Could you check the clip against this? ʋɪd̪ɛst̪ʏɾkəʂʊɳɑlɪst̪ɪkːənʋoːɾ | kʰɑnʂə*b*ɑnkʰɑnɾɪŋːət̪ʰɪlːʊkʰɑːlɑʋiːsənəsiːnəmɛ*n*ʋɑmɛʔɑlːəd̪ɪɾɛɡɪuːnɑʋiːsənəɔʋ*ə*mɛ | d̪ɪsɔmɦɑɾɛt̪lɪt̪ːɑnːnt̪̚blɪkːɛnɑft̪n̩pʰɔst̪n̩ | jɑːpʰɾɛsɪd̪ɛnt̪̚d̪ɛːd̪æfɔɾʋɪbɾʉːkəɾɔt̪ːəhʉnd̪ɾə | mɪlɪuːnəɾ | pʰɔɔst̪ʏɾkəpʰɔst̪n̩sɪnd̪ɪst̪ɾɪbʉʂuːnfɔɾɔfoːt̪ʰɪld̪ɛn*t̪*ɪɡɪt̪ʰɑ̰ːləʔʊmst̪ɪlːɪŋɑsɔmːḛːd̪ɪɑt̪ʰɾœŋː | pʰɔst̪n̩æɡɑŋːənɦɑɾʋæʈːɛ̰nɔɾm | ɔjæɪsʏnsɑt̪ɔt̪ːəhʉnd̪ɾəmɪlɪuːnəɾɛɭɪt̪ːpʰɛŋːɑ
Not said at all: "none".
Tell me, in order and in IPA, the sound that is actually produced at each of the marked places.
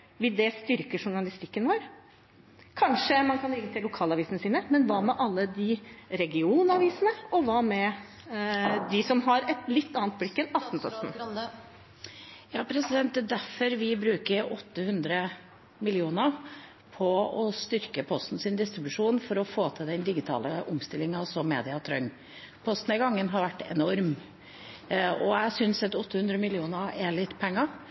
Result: m, n, ɑ, d̪

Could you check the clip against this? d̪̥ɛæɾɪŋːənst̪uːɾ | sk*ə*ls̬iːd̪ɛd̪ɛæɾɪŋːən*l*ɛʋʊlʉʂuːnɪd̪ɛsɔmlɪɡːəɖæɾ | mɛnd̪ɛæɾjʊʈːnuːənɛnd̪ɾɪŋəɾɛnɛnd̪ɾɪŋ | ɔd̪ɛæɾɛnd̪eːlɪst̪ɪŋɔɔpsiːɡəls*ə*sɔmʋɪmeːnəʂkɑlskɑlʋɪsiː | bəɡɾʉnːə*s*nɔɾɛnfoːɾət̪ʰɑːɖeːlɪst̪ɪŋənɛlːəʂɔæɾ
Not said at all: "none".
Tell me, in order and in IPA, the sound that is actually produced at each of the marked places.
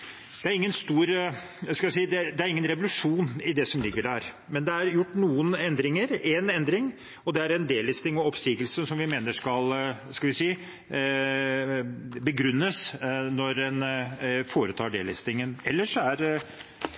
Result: ɑ, ɾ, ə, s

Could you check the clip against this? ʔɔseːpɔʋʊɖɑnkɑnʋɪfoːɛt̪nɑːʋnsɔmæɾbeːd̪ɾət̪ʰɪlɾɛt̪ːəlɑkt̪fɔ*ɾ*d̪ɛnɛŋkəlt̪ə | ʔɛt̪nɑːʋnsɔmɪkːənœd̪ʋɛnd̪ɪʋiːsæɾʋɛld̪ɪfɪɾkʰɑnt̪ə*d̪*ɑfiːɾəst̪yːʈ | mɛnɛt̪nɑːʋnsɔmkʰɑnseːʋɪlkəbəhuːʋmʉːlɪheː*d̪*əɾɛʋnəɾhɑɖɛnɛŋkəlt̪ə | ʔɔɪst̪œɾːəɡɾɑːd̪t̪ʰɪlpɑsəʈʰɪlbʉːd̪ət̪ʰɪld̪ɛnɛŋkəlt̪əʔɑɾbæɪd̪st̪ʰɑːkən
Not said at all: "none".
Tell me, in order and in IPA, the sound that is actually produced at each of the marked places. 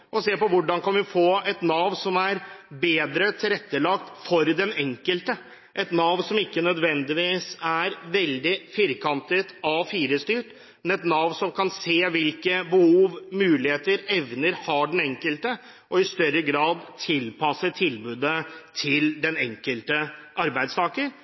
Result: ɾ, t̪, t̪

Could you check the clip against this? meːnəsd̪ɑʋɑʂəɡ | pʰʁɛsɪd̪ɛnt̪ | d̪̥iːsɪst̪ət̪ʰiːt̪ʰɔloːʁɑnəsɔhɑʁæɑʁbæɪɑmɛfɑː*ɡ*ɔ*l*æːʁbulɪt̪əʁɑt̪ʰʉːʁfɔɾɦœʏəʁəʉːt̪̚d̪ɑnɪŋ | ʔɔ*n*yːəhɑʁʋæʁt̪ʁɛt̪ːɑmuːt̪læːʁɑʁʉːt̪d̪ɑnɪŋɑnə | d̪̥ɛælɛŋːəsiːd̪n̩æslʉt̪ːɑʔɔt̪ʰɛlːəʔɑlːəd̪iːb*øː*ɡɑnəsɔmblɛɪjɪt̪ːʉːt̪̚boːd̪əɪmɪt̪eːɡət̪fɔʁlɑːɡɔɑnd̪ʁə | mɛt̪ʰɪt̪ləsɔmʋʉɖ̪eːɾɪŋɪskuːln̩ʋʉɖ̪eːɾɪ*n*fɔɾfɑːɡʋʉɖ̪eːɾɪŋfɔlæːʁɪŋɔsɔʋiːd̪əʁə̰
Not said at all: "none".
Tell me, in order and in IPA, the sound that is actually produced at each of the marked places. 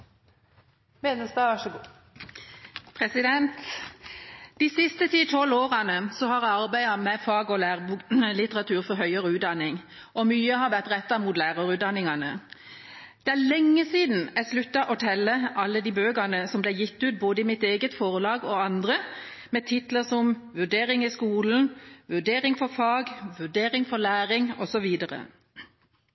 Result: ɡ, l, m, øː, ŋ

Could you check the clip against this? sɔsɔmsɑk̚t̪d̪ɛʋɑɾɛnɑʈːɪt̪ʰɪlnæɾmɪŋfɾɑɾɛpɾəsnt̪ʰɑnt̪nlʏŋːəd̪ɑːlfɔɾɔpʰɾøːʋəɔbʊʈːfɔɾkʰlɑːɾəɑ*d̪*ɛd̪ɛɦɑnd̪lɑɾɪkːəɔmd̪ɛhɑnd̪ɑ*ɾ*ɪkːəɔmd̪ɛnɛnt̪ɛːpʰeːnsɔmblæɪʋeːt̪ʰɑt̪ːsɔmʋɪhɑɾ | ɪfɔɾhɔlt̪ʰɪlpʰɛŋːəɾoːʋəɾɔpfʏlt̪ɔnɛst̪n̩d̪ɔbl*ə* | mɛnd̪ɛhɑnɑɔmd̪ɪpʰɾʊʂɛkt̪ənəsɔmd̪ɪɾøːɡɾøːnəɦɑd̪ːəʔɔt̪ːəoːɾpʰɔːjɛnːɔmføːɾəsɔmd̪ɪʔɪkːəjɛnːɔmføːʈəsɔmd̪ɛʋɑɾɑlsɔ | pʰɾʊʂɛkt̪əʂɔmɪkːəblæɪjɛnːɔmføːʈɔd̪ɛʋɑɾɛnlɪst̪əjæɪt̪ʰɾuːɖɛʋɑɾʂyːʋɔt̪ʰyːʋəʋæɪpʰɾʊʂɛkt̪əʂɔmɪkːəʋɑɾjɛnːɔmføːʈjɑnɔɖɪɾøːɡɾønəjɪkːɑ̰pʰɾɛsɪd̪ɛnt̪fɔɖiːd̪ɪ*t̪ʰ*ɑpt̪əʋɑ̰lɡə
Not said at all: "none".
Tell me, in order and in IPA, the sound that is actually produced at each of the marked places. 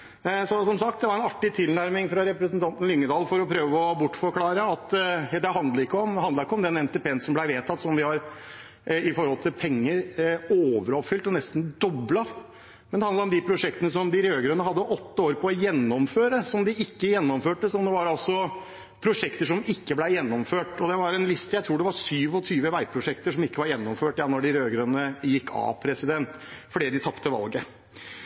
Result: t̪, ɾ, ɑ, t̪ʰ

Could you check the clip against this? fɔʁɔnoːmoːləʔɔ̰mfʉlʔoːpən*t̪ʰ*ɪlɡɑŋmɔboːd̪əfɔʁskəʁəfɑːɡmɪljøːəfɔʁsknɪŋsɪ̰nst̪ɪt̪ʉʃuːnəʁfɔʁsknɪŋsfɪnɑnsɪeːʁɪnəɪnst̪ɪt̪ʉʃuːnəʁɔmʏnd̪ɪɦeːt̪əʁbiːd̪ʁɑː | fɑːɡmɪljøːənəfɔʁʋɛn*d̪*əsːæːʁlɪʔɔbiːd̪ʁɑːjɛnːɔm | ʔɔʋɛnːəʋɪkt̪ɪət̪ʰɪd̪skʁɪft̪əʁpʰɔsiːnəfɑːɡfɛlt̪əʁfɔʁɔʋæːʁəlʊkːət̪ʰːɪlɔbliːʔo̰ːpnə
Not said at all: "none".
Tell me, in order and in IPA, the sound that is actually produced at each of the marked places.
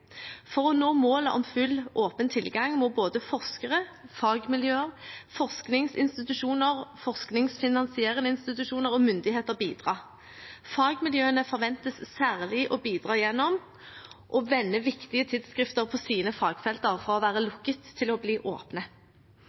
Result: t̪ʰ, t̪

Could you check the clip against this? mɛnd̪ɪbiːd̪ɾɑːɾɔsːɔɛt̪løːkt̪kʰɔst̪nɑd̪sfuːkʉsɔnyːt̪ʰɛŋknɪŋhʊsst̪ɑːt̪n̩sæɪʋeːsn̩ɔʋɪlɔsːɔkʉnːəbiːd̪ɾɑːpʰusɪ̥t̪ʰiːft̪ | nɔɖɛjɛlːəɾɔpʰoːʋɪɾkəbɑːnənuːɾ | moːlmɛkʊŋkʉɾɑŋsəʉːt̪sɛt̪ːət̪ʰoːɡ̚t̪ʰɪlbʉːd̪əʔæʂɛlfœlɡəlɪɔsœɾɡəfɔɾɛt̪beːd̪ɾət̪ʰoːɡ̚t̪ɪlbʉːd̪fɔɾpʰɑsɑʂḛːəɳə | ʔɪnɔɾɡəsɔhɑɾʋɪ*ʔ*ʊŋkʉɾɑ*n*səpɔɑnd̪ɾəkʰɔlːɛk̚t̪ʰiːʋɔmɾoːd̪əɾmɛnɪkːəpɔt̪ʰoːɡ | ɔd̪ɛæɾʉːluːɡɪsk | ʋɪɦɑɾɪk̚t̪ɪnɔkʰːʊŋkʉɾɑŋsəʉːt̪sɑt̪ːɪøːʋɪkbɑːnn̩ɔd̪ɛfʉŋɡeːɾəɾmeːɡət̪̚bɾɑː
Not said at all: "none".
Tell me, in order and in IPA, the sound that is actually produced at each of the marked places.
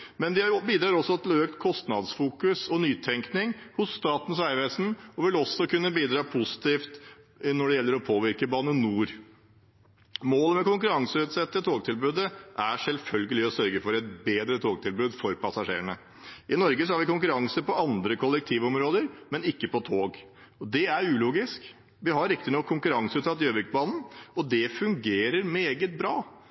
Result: k, ŋ

